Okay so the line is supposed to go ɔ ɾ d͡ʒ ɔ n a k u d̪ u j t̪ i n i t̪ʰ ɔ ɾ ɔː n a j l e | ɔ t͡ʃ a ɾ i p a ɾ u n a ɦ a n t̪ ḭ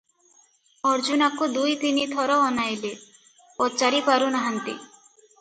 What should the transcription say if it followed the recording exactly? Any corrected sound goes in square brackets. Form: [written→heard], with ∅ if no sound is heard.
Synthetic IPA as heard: ɔ ɾ d͡ʒ [ɔ→u] n a k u d̪ u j t̪ i n i t̪ʰ ɔ ɾ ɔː n a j l e | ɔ t͡ʃ a ɾ i p a ɾ u n a ɦ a n t̪ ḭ